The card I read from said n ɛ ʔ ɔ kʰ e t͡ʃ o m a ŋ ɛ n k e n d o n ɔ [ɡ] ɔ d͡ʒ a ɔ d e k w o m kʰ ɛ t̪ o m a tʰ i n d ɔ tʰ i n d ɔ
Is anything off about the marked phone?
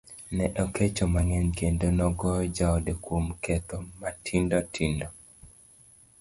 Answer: no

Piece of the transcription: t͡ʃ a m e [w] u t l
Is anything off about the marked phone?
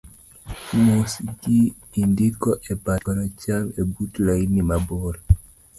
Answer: yes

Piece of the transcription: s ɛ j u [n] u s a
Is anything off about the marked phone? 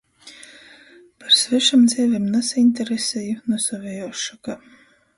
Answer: no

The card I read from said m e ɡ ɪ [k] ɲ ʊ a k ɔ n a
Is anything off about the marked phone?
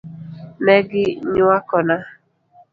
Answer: yes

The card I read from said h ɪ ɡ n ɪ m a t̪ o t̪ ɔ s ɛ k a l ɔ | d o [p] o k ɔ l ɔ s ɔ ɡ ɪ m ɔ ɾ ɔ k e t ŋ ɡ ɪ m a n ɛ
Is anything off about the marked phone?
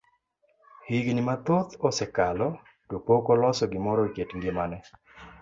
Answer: no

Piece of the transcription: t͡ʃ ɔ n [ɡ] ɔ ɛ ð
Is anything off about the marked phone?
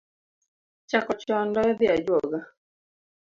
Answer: yes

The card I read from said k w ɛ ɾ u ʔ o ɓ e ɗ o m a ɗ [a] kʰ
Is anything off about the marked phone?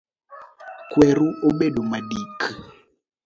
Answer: yes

